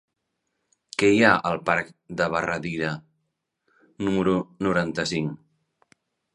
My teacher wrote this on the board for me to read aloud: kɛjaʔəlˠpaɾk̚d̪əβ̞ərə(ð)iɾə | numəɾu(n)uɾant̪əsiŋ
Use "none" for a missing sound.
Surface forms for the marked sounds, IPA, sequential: ð, n

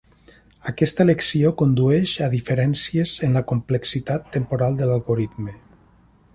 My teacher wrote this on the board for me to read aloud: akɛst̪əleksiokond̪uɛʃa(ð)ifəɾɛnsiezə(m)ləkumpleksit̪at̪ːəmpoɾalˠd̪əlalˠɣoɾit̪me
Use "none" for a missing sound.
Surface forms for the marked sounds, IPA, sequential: ð, n

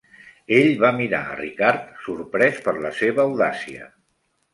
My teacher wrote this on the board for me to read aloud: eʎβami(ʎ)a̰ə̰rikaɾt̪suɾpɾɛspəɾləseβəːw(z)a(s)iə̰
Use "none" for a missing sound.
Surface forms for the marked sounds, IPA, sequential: ɾ, ð, s

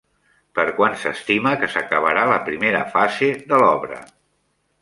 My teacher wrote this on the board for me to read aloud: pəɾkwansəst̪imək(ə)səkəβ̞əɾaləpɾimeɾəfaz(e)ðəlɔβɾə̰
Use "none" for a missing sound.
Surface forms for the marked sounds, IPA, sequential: ə, e

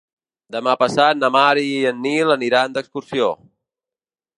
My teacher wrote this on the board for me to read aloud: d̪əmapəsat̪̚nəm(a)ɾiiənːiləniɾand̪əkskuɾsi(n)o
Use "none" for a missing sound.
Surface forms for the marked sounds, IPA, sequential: a, none

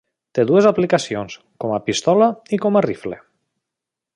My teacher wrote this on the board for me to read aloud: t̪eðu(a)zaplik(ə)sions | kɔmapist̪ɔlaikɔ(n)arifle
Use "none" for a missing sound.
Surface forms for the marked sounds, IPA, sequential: e, a, m

